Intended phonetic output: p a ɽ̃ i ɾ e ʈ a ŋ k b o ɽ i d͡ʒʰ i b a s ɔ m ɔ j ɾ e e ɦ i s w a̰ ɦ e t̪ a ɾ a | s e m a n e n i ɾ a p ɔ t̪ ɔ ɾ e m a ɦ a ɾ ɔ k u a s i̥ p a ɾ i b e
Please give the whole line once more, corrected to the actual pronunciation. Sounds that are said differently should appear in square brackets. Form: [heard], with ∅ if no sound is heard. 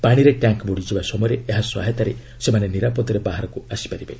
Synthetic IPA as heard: p a ɽ̃ i ɾ e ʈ a ŋ k b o ɽ i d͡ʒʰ i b a s ɔ m ɔ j ɾ e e ɦ [a] s w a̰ ɦ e t̪ a ɾ [e] | s e m a n e n i ɾ a p ɔ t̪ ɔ ɾ e [b] a ɦ a ɾ ɔ k u a s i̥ p a ɾ i b e

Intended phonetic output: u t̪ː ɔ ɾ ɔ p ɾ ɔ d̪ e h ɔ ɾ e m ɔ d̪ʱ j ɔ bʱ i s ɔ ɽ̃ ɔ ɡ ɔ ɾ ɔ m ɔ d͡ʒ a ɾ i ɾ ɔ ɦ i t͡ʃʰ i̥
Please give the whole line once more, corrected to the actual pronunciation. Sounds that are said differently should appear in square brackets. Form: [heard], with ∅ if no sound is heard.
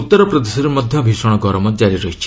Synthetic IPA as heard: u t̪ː ɔ ɾ ɔ p ɾ ɔ d̪ e [s] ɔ ɾ e m ɔ d̪ʱ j ɔ bʱ i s ɔ ɽ̃ ɔ ɡ ɔ ɾ ɔ m ɔ d͡ʒ a ɾ i ɾ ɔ ɦ i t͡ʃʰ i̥

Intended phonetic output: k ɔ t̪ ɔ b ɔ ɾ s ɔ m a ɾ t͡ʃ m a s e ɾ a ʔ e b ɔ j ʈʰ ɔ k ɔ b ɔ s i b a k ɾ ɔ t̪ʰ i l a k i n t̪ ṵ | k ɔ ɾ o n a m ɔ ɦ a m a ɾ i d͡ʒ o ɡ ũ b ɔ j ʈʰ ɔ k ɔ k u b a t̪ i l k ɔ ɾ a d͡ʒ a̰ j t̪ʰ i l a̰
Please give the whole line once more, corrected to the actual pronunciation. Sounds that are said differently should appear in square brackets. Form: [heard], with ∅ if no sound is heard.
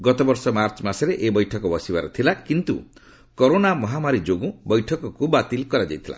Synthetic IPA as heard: [ɡ] ɔ t̪ ɔ b ɔ ɾ s ɔ m a ɾ t͡ʃ m a s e ɾ [e] ʔ e b ɔ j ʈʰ ɔ k ɔ b ɔ s i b a [∅] ɾ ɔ t̪ʰ i l a k i n t̪ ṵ | k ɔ ɾ o n a m ɔ ɦ a m a ɾ i d͡ʒ o ɡ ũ b ɔ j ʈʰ ɔ k ɔ k u b a t̪ i l k ɔ ɾ a d͡ʒ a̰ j t̪ʰ i l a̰

